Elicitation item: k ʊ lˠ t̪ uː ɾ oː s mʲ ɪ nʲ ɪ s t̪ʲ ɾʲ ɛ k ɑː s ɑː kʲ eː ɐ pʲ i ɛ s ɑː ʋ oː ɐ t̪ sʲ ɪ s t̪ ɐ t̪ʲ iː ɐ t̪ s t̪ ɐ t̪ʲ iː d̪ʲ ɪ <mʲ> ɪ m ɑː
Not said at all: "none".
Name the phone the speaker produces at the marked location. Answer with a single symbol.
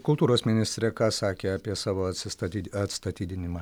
nʲ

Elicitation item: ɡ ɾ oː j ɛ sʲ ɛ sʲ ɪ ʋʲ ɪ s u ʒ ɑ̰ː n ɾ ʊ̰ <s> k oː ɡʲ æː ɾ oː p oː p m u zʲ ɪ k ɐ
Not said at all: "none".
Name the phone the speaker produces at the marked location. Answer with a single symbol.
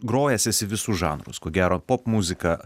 s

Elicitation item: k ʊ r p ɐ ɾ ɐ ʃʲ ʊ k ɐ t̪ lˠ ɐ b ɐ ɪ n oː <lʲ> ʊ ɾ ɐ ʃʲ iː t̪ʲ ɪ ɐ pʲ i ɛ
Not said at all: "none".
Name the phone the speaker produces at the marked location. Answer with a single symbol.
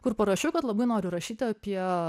ɾʲ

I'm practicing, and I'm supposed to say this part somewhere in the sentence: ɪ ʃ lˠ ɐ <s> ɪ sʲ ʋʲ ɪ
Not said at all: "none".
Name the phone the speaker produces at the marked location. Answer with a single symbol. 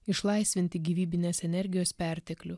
none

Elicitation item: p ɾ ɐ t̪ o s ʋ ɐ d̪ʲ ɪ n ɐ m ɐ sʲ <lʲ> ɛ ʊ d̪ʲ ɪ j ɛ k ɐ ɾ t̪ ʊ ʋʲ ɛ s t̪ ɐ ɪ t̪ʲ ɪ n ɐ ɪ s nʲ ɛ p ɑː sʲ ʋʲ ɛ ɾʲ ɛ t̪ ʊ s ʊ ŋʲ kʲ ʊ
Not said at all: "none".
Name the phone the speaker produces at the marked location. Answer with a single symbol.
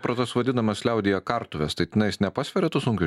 lʲ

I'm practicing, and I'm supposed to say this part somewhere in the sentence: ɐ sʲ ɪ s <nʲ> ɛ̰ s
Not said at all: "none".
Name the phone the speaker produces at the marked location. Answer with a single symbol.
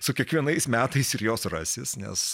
nʲ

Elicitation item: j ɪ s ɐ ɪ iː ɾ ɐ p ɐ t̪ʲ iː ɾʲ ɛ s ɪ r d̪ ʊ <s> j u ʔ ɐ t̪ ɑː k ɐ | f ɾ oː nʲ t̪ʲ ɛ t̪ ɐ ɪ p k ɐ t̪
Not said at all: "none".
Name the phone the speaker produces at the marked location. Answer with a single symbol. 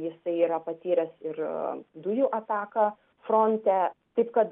none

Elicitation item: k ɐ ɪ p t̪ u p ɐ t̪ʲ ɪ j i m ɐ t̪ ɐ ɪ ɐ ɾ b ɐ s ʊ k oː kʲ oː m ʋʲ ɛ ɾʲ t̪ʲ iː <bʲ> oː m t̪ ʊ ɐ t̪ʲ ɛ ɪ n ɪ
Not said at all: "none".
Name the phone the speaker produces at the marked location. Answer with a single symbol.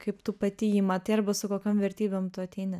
bʲ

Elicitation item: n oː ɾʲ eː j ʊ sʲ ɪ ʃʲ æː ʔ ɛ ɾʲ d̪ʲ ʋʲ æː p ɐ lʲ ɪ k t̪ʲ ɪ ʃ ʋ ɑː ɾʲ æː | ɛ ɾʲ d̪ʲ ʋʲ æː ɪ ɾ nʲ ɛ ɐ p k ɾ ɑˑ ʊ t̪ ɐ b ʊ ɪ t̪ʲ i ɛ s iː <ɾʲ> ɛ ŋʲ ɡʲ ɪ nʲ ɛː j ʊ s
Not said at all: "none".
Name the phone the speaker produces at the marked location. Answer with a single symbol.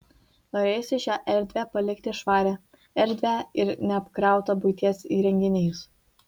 ɾʲ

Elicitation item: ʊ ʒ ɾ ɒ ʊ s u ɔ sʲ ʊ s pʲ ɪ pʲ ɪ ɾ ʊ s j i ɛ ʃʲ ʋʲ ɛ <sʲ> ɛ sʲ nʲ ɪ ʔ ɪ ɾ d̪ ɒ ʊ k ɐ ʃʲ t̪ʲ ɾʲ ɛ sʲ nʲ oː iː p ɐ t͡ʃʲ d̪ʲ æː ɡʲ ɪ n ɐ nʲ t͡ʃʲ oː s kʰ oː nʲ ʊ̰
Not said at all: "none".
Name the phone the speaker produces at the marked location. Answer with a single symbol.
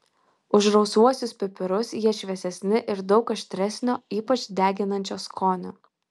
sʲ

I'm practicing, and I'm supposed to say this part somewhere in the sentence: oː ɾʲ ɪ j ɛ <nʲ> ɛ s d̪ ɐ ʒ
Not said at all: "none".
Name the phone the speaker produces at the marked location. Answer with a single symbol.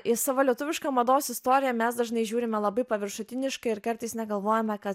mʲ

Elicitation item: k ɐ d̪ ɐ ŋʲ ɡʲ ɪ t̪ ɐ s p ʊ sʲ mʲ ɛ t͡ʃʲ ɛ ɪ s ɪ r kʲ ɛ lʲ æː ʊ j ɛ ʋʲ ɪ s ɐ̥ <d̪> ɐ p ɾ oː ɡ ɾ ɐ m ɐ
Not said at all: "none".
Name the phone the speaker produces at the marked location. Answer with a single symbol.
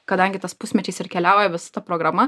t̪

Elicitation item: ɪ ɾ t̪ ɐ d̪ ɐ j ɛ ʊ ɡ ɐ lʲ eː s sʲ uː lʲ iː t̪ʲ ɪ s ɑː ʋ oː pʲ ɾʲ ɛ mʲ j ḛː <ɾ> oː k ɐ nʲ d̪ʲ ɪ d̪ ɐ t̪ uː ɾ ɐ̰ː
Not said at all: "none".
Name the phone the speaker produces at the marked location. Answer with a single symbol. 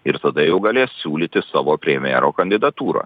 ɾ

